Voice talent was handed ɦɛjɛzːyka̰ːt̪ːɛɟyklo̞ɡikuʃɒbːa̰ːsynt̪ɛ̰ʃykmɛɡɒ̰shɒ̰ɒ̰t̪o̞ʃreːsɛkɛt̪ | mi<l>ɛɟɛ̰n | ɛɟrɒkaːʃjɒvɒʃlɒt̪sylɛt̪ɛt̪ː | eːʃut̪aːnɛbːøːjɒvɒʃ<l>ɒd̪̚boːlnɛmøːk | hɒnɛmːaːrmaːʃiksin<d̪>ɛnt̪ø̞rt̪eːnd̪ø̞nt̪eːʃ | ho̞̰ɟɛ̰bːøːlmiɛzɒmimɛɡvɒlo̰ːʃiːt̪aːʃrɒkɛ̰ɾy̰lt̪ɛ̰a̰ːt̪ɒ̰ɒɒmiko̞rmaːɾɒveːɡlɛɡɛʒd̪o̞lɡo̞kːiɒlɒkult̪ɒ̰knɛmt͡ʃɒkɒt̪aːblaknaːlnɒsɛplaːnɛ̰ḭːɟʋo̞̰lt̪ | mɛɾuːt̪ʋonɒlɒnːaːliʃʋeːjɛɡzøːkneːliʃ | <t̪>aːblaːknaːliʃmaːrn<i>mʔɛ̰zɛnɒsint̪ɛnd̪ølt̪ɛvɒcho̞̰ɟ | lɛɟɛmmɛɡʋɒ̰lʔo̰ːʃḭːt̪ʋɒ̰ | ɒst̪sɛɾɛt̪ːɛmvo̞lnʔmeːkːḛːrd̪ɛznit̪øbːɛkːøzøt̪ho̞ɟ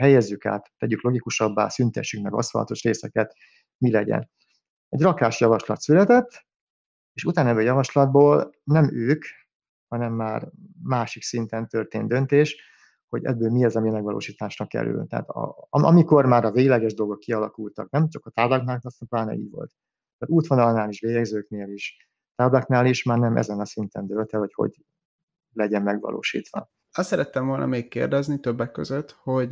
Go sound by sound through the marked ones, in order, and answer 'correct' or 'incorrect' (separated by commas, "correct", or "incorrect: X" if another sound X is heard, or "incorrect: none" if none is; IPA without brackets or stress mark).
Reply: correct, correct, incorrect: t̪, correct, incorrect: ɛ